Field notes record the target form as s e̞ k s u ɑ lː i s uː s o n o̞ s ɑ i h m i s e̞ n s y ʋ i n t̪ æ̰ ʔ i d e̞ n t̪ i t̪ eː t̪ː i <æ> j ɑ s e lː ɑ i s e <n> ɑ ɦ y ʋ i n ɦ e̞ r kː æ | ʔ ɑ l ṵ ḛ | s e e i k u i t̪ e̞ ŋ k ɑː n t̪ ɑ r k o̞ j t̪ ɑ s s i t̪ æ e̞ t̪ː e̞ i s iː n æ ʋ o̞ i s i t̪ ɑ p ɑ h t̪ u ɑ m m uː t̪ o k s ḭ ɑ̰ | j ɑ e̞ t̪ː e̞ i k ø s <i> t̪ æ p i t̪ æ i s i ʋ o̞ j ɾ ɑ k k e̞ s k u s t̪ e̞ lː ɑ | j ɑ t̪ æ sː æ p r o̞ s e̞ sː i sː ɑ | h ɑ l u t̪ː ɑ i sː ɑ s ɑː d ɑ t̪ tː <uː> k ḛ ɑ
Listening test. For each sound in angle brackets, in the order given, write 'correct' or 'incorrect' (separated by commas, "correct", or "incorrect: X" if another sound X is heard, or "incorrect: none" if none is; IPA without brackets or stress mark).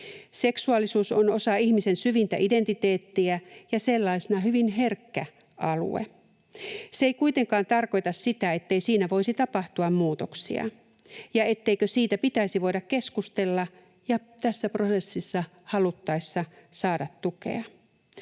correct, correct, incorrect: iː, incorrect: u